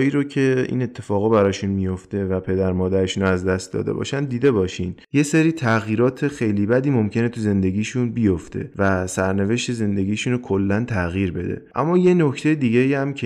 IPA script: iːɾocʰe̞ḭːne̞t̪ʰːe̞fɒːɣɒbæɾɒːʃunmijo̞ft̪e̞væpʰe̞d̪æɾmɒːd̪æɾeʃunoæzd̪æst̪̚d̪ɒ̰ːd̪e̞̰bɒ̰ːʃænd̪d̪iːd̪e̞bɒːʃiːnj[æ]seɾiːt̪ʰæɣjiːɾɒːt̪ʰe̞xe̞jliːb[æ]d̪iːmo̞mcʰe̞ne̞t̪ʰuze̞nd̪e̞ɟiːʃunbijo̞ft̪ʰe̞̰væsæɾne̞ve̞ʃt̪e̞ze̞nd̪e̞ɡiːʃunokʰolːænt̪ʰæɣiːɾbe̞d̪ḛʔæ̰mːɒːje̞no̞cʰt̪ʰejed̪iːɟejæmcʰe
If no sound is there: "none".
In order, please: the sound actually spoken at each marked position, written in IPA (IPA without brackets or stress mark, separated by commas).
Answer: e, æ